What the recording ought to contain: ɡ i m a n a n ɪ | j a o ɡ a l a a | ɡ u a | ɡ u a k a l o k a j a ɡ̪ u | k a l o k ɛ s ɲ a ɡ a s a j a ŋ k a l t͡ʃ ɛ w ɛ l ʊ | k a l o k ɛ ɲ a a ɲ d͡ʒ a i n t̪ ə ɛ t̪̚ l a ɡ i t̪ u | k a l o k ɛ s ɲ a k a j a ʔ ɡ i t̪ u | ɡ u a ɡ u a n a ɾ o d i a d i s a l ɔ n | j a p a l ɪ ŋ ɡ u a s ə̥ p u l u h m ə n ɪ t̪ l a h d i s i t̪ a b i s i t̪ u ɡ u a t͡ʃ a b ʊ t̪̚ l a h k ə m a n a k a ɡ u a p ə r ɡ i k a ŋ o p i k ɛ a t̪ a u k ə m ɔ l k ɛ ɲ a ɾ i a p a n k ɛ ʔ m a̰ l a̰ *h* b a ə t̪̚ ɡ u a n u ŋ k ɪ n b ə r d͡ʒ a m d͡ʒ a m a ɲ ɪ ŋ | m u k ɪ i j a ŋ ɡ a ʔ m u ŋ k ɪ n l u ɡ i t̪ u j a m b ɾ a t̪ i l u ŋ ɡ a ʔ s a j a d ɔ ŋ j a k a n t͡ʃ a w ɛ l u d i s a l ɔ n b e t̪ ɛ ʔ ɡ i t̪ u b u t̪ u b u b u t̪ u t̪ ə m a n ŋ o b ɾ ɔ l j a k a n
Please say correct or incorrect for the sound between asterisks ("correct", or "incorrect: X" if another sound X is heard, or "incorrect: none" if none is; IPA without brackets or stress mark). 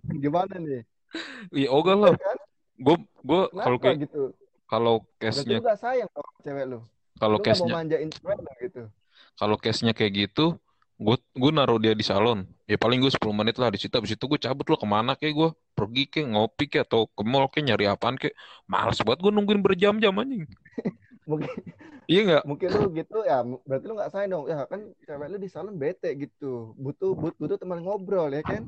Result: incorrect: s